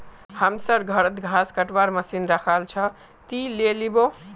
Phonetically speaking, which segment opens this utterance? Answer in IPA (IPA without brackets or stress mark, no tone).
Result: h